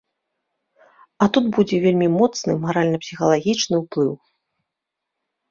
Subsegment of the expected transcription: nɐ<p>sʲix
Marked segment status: correct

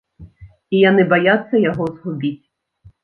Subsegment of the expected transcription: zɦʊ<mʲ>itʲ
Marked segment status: incorrect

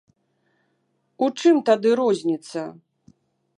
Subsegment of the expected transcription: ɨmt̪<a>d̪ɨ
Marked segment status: correct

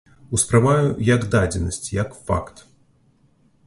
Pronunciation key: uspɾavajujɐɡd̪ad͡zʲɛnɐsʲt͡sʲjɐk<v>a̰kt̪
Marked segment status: incorrect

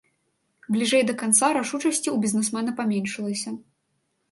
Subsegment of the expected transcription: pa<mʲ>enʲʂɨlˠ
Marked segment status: correct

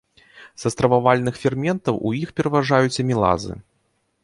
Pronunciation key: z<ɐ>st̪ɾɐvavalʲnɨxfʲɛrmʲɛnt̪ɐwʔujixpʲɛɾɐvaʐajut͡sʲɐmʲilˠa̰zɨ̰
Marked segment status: correct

